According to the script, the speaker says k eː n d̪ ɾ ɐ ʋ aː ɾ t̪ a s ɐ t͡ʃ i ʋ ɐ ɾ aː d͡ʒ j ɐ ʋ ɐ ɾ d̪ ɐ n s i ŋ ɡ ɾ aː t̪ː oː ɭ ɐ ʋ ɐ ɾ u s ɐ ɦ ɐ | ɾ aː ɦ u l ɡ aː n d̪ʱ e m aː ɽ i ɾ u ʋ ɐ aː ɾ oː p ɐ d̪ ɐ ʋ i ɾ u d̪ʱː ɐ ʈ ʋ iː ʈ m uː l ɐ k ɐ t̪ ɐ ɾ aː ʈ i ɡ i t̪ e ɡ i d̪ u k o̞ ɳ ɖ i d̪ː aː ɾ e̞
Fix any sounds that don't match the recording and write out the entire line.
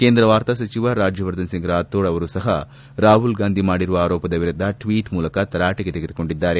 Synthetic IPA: k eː n d̪ ɾ ɐ ʋ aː ɾ t̪ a s ɐ t͡ʃ i ʋ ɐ ɾ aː d͡ʒ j ɐ ʋ ɐ ɾ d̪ ɐ n s i ŋ ɡ ɾ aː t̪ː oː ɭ ɐ ʋ ɐ ɾ u s ɐ ɦ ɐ | ɾ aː ɦ u l ɡ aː n d̪ʱ i m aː ɽ i ɾ u ʋ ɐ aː ɾ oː p ɐ d̪ ɐ ʋ i ɾ u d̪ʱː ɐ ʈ ʋ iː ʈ m uː l ɐ k ɐ t̪ ɐ ɾ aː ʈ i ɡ e t̪ e ɡ e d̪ u k o̞ ɳ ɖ i d̪ː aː ɾ e̞

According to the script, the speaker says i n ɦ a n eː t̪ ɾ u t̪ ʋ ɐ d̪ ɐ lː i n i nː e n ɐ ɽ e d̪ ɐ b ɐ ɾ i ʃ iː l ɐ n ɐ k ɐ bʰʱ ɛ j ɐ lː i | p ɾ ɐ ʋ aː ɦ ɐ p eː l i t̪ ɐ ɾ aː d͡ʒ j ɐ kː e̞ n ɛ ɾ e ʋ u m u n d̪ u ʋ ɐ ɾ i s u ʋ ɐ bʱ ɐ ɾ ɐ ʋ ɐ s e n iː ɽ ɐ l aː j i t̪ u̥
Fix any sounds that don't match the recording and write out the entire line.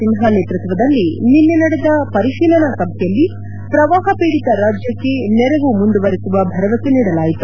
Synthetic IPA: i n ɦ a n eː t̪ ɾ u t̪ ʋ ɐ d̪ ɐ lː i n i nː e n ɐ ɽ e d̪ ɐ p ɐ ɾ i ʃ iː l ɐ n ɐ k ɐ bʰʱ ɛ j ɐ lː i | p ɾ ɐ ʋ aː ɦ ɐ p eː ɽ i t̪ ɐ ɾ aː d͡ʒ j ɐ kː e̞ n ɛ ɾ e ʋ u m u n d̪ u ʋ ɐ ɾ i s u ʋ ɐ bʱ ɐ ɾ ɐ ʋ ɐ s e n iː ɽ ɐ l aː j i t̪ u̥

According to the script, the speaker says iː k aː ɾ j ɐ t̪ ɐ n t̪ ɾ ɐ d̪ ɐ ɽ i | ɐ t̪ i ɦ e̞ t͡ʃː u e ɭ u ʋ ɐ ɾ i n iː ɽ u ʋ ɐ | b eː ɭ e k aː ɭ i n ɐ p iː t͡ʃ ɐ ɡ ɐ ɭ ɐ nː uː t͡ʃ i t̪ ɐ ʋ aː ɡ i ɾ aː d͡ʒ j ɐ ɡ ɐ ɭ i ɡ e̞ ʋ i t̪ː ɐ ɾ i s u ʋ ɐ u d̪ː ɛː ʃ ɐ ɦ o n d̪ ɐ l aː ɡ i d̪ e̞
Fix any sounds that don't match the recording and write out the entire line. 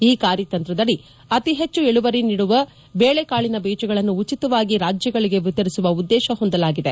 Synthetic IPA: iː k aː ɾ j ɐ t̪ ɐ n t̪ ɾ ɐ d̪ ɐ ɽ i | ɐ t̪ i ɦ e̞ t͡ʃː u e ɭ u ʋ ɐ ɾ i n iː ɽ u ʋ ɐ | b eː ɭ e k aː ɭ i n ɐ b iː t͡ʃ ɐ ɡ ɐ ɭ ɐ nː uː t͡ʃ i t̪ ɐ ʋ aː ɡ i ɾ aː d͡ʒ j ɐ ɡ ɐ ɭ i ɡ e̞ ʋ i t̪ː ɐ ɾ i s u ʋ ɐ u d̪ː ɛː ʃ ɐ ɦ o n d̪ ɐ l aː ɡ i d̪ e̞

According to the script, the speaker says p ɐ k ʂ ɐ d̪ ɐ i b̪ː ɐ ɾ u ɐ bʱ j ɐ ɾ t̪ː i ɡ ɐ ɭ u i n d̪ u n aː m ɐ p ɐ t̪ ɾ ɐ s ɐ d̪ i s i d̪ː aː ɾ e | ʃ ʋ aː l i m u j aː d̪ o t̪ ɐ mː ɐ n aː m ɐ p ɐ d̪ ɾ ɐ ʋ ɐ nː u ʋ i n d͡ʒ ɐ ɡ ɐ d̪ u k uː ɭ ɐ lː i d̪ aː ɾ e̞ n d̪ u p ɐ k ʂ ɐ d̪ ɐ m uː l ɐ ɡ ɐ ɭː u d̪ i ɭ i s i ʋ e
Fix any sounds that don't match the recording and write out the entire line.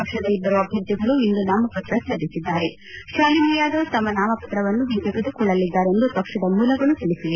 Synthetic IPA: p ɐ k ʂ ɐ d̪ ɐ i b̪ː ɐ ɾ u ɐ bʱ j ɐ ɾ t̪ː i ɡ ɐ ɭ u i n d̪ u n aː m ɐ p ɐ t̪ ɾ ɐ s ɐ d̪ i s i d̪ː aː ɾ e | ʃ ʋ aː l i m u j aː d̪ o t̪ ɐ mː ɐ n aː m ɐ p ɐ t̪ ɾ ɐ ʋ ɐ nː u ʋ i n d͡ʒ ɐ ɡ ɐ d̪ u k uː ɭ ɐ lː i d̪ː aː ɾ e̞ n d̪ u p ɐ k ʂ ɐ d̪ ɐ m uː l ɐ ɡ ɐ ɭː u t̪ i ɭ i s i ʋ e

